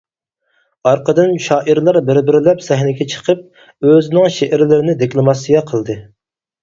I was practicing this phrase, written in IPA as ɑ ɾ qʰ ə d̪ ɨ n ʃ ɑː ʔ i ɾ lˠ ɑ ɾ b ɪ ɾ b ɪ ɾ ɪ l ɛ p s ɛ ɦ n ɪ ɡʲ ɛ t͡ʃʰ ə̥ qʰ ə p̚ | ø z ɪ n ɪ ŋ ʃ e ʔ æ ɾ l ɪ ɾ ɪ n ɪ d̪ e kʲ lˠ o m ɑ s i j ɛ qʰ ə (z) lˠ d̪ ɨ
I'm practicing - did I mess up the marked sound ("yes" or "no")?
yes